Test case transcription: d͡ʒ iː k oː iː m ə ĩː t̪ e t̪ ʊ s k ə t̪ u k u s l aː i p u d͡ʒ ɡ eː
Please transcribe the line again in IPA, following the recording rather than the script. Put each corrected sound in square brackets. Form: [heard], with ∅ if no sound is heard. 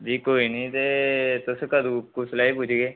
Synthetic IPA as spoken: d͡ʒ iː k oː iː [n] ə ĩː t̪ e t̪ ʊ s k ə [d̪] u k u s l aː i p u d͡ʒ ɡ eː